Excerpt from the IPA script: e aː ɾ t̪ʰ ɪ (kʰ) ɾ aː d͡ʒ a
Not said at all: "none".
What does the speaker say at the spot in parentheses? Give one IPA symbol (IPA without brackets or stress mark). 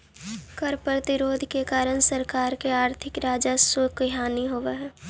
k